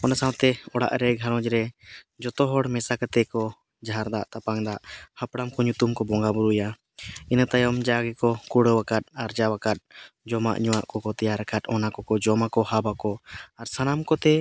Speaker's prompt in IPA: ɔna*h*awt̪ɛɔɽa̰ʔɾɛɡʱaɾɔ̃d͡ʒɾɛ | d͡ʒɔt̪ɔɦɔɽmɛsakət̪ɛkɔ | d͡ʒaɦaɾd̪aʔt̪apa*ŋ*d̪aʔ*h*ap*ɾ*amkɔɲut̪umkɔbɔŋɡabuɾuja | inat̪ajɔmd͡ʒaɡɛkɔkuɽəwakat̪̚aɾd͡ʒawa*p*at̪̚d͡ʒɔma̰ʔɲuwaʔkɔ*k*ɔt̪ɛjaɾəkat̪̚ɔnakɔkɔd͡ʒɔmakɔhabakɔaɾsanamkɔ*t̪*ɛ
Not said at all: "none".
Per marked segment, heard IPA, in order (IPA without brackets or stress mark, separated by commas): s, ŋ, h, ɽ, k, k, t̪